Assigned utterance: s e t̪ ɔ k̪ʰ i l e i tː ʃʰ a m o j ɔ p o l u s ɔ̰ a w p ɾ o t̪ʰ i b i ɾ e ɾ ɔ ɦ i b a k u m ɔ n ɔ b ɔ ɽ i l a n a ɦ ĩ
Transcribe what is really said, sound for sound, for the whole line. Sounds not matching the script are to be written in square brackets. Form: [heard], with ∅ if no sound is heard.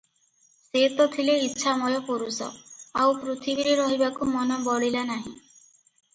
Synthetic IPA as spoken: s e t̪ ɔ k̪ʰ i l e i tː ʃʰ a m [ɔ] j ɔ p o [ɾ] u s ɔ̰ a w p ɾ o t̪ʰ i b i ɾ e ɾ ɔ ɦ i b a k u m ɔ n ɔ b ɔ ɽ i l a n a ɦ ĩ